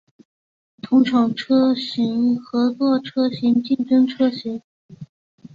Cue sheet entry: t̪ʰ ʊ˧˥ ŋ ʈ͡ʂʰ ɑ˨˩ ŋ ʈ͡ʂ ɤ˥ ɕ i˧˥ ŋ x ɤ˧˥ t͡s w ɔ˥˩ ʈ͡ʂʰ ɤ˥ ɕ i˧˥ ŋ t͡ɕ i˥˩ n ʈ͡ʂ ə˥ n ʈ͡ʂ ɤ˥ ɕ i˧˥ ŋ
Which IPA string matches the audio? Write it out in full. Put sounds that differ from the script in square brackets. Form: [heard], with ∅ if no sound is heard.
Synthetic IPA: t̪ʰ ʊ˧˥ ŋ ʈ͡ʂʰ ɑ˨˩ ŋ [ʈ͡ʂʰ] ɤ˥ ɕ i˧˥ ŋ x ɤ˧˥ t͡s w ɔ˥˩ ʈ͡ʂʰ ɤ˥ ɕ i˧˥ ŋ t͡ɕ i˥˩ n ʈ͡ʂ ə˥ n [ʈ͡ʂʰ] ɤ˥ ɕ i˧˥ ŋ